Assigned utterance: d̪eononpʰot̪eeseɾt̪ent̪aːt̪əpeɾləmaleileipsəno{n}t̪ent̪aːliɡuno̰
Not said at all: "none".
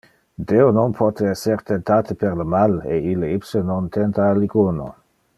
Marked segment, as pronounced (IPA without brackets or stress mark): n